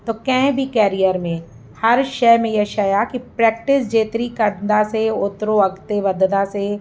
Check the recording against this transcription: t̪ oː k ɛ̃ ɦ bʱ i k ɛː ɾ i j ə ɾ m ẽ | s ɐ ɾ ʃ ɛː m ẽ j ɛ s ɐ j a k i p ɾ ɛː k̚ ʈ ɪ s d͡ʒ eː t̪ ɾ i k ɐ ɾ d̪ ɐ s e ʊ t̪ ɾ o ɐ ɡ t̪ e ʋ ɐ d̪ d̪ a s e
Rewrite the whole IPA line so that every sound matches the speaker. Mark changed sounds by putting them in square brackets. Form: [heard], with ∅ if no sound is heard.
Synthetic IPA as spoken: t̪ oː k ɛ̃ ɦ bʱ i k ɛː ɾ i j ə ɾ m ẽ | [h] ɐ ɾ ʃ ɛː m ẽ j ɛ [ʃ] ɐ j a k i p ɾ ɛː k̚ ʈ ɪ s d͡ʒ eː t̪ ɾ i k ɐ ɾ d̪ [a] s e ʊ t̪ ɾ o ɐ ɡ t̪ e ʋ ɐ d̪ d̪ a s e